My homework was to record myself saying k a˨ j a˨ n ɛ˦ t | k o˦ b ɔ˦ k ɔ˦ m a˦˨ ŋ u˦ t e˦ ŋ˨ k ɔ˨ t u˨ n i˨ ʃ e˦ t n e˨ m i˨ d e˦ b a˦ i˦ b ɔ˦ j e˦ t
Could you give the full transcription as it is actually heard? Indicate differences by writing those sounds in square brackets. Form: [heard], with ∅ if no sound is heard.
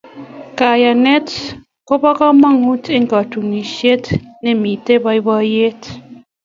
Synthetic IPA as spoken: k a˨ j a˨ n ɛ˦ t | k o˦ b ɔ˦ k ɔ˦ m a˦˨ ŋ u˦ t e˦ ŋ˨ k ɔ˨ t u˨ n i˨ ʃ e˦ t n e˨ m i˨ [t] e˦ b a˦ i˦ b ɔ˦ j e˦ t